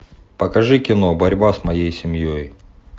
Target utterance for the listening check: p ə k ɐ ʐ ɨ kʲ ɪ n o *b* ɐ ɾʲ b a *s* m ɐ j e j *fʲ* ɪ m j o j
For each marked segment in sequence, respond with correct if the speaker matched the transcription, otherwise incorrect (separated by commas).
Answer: correct, correct, incorrect